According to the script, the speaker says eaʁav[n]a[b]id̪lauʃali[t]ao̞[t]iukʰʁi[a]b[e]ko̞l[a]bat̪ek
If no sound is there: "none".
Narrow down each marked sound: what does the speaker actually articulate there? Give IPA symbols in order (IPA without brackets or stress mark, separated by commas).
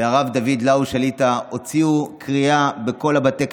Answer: d, v, t, t͡s, a, e, a